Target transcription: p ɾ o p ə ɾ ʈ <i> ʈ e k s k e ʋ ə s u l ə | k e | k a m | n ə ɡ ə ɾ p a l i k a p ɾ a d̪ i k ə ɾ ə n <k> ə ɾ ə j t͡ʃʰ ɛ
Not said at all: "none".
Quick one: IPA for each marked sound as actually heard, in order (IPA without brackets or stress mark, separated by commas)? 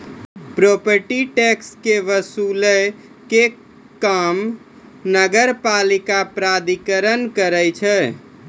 i, k